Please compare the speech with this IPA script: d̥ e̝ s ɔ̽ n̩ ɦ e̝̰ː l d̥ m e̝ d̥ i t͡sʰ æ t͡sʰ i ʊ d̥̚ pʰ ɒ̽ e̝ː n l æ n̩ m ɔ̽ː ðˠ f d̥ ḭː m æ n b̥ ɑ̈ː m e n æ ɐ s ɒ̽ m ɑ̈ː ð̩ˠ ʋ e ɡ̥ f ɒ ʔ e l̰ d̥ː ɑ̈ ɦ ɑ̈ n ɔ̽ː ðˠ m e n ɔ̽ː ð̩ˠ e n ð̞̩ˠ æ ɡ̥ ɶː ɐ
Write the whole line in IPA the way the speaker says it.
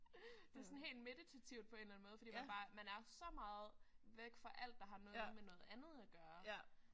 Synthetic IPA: d̥ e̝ s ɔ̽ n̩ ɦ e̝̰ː l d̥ m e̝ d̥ i t͡sʰ æ t͡sʰ i ʊ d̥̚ pʰ ɒ̽ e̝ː n l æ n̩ m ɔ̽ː ðˠ f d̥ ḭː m æ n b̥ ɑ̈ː m æ n æ ɐ s ɒ̽ m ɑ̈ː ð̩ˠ ʋ e ɡ̥ f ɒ ʔ æ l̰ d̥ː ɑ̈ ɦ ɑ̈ n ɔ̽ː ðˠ m e n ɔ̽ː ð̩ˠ æ n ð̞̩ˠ æ ɡ̥ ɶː ɐ